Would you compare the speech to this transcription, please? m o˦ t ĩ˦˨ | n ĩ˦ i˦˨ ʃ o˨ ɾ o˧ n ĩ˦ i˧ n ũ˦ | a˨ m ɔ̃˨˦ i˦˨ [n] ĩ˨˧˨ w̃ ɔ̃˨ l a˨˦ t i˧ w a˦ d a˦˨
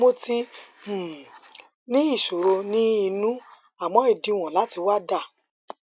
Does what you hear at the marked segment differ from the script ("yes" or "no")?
yes